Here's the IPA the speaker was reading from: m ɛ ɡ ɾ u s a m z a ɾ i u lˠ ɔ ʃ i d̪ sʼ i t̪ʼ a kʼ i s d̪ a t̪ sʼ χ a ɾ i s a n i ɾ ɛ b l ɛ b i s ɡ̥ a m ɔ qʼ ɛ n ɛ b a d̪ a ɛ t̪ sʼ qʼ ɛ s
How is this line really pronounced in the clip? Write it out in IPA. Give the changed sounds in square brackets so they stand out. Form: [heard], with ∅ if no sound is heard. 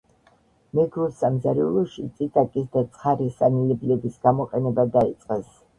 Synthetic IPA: m ɛ ɡ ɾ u s a m z a ɾ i u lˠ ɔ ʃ i [t̪] sʼ i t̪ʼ a kʼ i s d̪ a t̪ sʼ χ a ɾ i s a n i [l] ɛ b l ɛ b i s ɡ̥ a m ɔ qʼ ɛ n ɛ b a d̪ a [i] t̪ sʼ qʼ ɛ s